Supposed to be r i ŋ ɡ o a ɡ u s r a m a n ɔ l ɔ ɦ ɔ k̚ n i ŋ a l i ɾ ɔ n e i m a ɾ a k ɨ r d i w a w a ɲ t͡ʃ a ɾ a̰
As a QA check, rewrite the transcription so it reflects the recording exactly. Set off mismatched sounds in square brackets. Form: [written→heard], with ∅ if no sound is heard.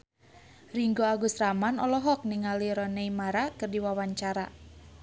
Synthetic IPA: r i ŋ ɡ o a ɡ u s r a m a n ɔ l ɔ ɦ ɔ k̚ n i ŋ a l i ɾ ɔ n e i m a ɾ a k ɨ r d i w a w a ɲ t͡ʃ a ɾ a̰